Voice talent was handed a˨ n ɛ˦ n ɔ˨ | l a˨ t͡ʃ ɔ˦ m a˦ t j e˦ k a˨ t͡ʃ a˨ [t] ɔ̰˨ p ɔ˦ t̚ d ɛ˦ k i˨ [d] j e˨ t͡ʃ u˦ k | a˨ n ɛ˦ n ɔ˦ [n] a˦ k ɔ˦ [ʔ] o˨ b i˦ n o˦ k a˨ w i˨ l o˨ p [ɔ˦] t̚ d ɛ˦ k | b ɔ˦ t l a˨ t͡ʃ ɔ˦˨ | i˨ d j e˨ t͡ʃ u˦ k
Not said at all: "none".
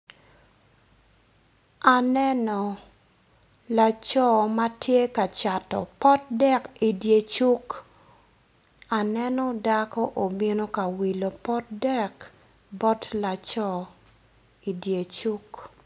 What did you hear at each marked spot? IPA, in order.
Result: t, d, d, ʔ, ɔ˦

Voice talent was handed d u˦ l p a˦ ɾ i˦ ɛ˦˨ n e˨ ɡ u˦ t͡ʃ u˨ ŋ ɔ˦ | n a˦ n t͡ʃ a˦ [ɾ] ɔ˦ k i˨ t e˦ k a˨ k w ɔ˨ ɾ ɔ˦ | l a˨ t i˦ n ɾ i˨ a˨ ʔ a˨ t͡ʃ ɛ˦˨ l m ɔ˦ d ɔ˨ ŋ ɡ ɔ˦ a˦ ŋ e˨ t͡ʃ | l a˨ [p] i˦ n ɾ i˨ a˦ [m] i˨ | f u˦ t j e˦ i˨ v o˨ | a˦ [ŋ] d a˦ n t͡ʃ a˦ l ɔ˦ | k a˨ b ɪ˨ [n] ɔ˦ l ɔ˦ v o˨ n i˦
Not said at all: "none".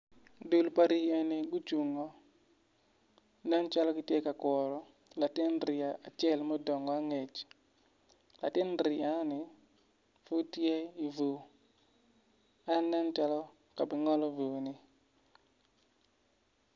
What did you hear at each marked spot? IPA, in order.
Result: l, t, n, n, ŋ

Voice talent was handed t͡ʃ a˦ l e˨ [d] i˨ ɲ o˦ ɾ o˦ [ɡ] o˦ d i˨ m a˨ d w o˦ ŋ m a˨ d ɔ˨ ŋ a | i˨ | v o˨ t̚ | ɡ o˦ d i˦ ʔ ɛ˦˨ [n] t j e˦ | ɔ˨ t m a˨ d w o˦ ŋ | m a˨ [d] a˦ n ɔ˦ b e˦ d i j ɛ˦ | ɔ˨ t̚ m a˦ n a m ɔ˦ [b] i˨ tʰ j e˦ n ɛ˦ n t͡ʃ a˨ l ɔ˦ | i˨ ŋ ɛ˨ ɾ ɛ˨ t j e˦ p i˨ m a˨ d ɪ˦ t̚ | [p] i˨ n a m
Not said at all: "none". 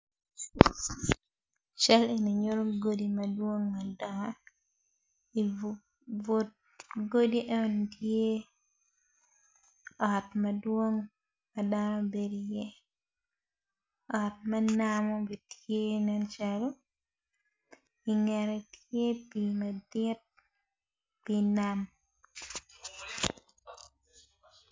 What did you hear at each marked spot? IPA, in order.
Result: n, ɡ, n, d, b, p

